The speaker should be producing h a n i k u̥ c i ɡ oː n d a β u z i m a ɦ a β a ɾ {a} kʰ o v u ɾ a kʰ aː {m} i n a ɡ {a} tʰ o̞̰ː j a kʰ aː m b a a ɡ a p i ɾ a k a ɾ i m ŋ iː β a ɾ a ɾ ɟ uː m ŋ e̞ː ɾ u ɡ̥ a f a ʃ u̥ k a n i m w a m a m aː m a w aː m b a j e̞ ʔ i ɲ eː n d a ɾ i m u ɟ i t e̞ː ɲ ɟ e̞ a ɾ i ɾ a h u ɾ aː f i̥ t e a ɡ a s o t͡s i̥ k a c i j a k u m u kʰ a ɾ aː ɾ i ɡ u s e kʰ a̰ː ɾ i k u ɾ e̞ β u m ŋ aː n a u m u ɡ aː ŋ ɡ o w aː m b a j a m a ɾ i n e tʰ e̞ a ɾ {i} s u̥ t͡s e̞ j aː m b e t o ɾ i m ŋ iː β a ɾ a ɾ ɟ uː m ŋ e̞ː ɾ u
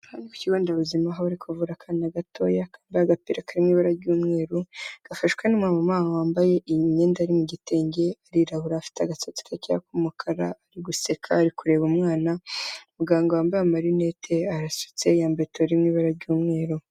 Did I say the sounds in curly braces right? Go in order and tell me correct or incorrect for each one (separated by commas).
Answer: incorrect, incorrect, correct, incorrect